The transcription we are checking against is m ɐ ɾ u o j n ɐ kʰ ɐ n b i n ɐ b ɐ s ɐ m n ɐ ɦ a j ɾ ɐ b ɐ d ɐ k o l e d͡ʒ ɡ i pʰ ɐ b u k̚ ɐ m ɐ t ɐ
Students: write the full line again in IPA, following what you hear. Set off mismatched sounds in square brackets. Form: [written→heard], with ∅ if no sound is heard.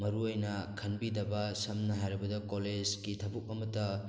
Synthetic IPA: m ɐ ɾ u o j n ɐ kʰ ɐ n b i [n→d] ɐ b ɐ s ɐ m n ɐ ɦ a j ɾ ɐ b ɐ d ɐ k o l e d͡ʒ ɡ i [pʰ→tʰ] ɐ b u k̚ ɐ m ɐ t ɐ